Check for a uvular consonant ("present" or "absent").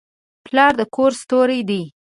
absent